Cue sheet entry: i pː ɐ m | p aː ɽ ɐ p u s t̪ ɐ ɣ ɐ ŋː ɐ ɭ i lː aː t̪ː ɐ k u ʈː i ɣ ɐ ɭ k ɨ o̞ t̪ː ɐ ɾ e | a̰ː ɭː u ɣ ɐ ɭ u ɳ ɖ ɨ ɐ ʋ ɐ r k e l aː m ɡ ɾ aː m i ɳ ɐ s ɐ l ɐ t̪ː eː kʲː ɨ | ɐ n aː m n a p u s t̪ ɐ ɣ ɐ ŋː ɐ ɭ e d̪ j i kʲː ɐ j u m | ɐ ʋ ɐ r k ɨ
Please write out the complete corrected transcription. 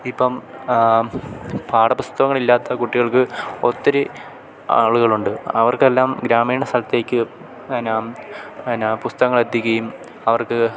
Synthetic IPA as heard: i pː ɐ m | p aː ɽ ɐ p u s t̪ ɐ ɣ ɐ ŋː ɐ ɭ i lː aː t̪ː ɐ k u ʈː i ɣ ɐ ɭ k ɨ o̞ t̪ː ɐ ɾ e | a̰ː ɭ u ɣ ɐ ɭ u ɳ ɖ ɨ ɐ ʋ ɐ r k e lː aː m ɡ ɾ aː m iː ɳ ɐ s ɐ l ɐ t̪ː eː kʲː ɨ | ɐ n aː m n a p u s t̪ ɐ ɣ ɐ ŋː ɐ ɭ e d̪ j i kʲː ɐ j u m | ɐ ʋ ɐ r k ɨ

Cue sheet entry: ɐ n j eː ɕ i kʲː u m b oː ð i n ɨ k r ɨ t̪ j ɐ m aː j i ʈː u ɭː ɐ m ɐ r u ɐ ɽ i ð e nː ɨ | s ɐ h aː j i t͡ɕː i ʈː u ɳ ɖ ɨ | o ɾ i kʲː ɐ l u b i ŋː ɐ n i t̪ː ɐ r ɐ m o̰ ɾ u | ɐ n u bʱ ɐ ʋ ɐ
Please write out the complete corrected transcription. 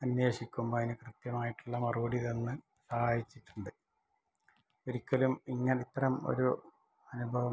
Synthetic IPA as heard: ɐ n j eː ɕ i kʲː u m b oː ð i n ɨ k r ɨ t̪ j ɐ m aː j i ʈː u ɭː ɐ m ɐ r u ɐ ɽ i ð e nː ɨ | s ɐ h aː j i t͡ɕː i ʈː u ɳ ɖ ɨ | o ɾ i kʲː ɐ l u m i ŋː ɐ n i t̪ː ɐ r ɐ m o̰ ɾ u | ɐ n u bʱ ɐ ʋ ɐ

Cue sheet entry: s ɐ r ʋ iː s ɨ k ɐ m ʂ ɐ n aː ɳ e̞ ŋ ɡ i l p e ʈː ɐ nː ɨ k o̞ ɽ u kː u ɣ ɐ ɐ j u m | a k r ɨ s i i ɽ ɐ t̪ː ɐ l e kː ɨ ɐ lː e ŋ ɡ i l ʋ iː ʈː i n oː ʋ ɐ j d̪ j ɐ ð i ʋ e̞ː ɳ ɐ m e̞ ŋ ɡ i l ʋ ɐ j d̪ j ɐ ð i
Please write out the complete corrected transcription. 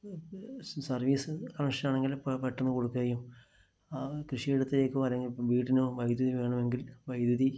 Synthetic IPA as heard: s ɐ r ʋ iː s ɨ k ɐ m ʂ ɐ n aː ɳ e̞ ŋ ɡ i l p e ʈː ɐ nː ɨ k o̞ ɽ u kː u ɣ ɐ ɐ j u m | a k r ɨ ʂ i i ɽ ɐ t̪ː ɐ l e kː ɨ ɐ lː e ŋ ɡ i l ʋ iː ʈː i n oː ʋ ɐ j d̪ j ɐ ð i ʋ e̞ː ɳ ɐ m e̞ ŋ ɡ i l ʋ ɐ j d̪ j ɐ ð i

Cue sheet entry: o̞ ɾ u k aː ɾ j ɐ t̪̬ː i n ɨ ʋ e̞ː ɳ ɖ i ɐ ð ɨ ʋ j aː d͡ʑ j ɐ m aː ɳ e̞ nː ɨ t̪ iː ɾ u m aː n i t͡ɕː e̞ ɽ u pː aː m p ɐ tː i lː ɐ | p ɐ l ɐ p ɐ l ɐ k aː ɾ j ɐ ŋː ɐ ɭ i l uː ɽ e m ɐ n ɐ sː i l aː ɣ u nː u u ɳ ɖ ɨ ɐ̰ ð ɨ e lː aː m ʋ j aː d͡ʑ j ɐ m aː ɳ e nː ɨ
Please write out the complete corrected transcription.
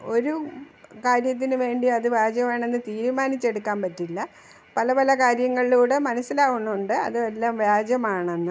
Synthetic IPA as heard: o̞ ɾ u k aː ɾ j ɐ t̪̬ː i n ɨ ʋ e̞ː ɳ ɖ i ɐ ð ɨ ʋ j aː d͡ʑ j ɐ m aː ɳ e̞ nː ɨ t̪ iː ɾ u m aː n i t͡ɕː e̞ ɽ u kː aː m p ɐ tː i lː ɐ | p ɐ l ɐ p ɐ l ɐ k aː ɾ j ɐ ŋː ɐ ɭ i l uː ɽ e m ɐ n ɐ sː i l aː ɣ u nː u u ɳ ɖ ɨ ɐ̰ ð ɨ e lː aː m ʋ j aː d͡ʑ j ɐ m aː ɳ e nː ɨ

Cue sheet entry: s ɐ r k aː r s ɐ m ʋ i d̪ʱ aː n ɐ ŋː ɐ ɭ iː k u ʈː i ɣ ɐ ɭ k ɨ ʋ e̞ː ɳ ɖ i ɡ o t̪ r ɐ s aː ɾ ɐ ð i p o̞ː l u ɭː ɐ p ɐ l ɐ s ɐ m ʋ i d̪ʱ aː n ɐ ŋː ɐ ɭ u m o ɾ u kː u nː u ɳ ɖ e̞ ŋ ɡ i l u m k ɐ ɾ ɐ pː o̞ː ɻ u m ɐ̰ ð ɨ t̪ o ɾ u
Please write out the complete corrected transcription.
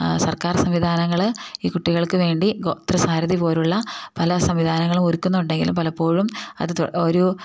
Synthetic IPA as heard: s ɐ r k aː r s ɐ m ʋ i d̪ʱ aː n ɐ ŋː ɐ ɭ iː k u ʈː i ɣ ɐ ɭ k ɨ ʋ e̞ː ɳ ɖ i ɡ o t̪ r ɐ s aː ɾ ɐ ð i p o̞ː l u ɭː ɐ p ɐ l ɐ s ɐ m ʋ i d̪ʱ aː n ɐ ŋː ɐ ɭ u m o ɾ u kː u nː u ɳ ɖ e̞ ŋ ɡ i l u m p ɐ l ɐ pː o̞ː ɻ u m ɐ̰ ð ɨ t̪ o ɾ u

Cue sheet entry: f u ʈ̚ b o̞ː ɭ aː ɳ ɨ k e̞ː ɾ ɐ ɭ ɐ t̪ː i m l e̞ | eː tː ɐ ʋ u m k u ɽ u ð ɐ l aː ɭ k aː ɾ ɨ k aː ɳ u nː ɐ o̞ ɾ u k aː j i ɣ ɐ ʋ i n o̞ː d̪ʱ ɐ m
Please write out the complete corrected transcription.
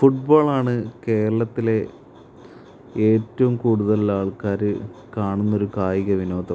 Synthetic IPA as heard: f u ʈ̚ b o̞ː ɭ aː ɳ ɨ k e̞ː ɾ ɐ ɭ ɐ t̪ː i l e̞ | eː tː ɐ ʋ u m k uː ɽ u ð ɐ l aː ɭ k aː ɾ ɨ k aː ɳ u nː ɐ o̞ ɾ u k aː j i ɣ ɐ ʋ i n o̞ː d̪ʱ ɐ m

